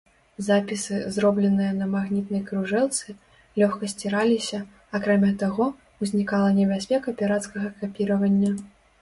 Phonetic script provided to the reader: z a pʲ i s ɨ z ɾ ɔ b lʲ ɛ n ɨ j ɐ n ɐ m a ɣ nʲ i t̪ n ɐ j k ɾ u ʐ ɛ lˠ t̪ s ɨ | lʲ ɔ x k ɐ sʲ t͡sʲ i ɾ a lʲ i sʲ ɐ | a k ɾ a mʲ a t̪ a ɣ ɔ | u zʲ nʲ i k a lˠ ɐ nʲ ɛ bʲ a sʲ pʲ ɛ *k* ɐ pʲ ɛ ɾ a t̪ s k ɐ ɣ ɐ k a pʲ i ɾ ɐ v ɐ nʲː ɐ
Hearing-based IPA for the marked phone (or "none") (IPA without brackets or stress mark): k